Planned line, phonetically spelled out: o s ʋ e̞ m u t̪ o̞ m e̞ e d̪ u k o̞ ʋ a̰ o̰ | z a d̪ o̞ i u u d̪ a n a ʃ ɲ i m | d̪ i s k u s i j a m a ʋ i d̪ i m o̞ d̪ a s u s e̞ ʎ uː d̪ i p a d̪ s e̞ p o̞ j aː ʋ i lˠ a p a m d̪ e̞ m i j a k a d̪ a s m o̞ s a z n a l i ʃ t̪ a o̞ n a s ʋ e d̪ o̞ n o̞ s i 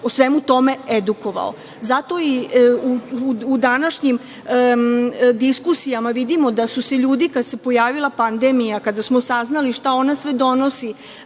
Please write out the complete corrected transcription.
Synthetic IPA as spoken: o s ʋ e̞ m u t̪ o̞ m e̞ e d̪ u k o̞ ʋ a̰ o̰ | z a t̪ o̞ i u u d̪ a n a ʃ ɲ i m | d̪ i s k u s i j a m a ʋ i d̪ i m o̞ d̪ a s u s e̞ ʎ uː d̪ i k a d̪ s e̞ p o̞ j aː ʋ i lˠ a p a n d̪ e̞ m i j a k a d̪ a s m o̞ s a z n a l i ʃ t̪ a o̞ n a s ʋ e d̪ o̞ n o̞ s i